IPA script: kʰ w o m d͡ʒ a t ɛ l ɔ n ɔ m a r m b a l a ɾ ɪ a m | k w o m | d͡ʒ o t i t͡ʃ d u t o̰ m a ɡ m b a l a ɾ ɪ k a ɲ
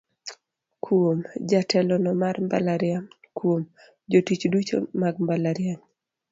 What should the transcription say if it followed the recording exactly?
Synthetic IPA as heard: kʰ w o m d͡ʒ a t ɛ l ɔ n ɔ m a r m b a l a ɾ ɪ a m | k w o m | d͡ʒ o t i t͡ʃ d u t͡ʃ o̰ m a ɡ m b a l a ɾ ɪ a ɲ